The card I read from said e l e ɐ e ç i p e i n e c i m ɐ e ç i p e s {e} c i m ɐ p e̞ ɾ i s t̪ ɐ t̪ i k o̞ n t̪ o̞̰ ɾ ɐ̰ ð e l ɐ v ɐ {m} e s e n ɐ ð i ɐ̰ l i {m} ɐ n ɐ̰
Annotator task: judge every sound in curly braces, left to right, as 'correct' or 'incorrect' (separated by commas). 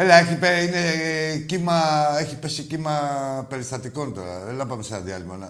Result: incorrect, correct, correct